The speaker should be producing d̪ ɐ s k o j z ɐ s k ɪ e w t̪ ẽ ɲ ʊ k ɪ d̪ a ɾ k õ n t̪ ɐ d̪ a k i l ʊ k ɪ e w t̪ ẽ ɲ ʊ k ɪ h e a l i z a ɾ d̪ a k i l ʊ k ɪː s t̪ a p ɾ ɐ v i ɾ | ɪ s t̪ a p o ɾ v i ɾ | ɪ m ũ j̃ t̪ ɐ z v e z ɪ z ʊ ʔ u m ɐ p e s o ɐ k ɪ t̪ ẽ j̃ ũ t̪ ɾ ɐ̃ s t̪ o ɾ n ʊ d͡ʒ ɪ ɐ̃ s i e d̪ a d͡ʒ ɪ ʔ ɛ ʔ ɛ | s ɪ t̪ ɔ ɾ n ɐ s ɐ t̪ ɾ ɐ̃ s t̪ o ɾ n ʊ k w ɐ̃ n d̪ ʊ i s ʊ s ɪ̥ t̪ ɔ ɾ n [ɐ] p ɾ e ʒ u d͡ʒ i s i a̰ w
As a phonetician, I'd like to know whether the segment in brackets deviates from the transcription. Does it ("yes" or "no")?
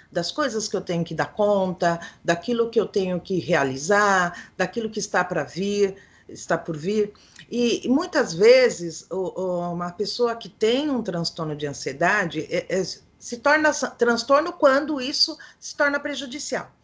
no